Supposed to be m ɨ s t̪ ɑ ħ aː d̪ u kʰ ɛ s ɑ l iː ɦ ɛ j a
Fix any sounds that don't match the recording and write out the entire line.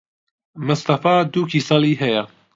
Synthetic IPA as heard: m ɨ s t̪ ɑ f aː d̪ u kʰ i s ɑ l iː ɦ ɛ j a